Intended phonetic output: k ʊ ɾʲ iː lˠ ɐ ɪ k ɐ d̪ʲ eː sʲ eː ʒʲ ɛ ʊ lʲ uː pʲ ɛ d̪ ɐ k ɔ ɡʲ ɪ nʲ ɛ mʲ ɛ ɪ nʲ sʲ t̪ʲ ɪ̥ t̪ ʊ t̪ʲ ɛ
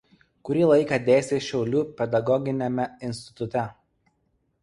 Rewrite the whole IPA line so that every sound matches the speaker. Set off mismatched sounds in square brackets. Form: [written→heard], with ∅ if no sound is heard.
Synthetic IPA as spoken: k ʊ ɾʲ iː lˠ ɐ ɪ k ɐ d̪ʲ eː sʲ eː [ʒʲ→ʃʲ] ɛ ʊ lʲ uː pʲ ɛ d̪ ɐ [k→ɡ] ɔ ɡʲ ɪ nʲ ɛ mʲ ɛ ɪ nʲ sʲ t̪ʲ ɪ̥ t̪ ʊ t̪ʲ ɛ